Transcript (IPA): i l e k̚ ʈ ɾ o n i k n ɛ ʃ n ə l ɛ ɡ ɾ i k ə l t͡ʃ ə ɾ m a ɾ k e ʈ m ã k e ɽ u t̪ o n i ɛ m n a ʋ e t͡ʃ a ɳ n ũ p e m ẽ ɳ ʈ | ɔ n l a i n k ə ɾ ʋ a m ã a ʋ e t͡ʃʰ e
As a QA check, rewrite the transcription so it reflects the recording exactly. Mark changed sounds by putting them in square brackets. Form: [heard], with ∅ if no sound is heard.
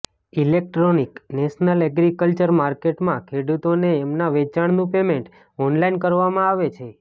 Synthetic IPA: i l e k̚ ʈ ɾ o n i k n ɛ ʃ n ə l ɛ ɡ ɾ i k ə l t͡ʃ ə ɾ m a ɾ k e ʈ m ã [kʰ] e ɽ u t̪ o n [e] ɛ m n a ʋ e t͡ʃ a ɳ n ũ p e m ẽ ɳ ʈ | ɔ n l a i n k ə ɾ ʋ a m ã a ʋ e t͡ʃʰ e

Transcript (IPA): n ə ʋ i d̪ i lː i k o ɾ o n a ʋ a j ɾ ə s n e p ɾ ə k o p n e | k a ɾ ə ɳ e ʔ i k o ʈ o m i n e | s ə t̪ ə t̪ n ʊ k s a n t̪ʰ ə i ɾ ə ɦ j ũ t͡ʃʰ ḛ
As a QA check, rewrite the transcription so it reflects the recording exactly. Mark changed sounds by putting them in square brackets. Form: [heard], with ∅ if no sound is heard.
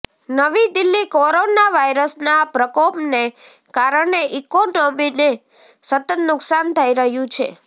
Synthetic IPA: n ə ʋ i d̪ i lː i k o ɾ o n a ʋ a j ɾ ə s n [a] p ɾ ə k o p n e | k a ɾ ə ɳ e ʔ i k o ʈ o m i n e | s ə t̪ ə t̪ n ʊ k s a n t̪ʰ ə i ɾ ə ɦ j ũ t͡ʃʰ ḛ

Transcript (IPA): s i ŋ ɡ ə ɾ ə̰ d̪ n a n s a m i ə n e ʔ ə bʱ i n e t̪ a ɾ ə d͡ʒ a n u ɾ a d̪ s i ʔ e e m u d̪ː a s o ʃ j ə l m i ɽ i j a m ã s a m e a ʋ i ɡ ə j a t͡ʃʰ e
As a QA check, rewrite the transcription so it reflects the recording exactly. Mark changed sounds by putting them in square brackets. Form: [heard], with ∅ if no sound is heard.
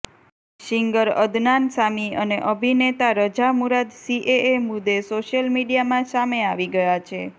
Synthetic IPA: [ʃ] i ŋ ɡ ə ɾ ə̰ d̪ n a n s a m i ə n e ʔ ə bʱ i n e t̪ a ɾ ə d͡ʒ a [m] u ɾ a d̪ s i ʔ e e m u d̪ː [e] s o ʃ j ə l m i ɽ i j a m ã s a m e a ʋ i ɡ ə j a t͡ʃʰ e

